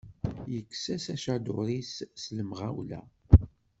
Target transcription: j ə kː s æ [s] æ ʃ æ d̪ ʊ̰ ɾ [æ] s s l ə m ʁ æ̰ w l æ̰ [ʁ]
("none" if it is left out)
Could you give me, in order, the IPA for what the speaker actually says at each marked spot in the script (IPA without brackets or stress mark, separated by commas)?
s, i, none